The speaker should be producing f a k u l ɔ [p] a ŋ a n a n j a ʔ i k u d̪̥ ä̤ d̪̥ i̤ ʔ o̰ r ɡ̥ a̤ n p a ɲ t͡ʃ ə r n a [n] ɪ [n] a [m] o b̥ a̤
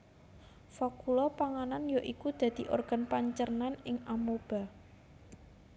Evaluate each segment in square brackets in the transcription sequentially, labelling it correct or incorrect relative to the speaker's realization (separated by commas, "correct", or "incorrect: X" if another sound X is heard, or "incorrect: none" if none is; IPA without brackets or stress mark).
correct, correct, incorrect: ŋ, correct